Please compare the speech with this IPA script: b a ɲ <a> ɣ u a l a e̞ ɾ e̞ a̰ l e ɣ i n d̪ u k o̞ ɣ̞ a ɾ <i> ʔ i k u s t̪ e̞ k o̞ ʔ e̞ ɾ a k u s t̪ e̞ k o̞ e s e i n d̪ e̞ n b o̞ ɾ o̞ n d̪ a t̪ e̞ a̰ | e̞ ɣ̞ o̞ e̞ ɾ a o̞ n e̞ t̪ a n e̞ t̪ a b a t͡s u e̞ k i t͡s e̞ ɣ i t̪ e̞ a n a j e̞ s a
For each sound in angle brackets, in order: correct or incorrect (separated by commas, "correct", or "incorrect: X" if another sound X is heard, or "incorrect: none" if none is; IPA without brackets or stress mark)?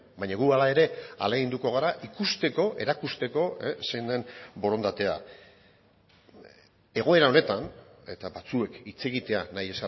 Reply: correct, incorrect: a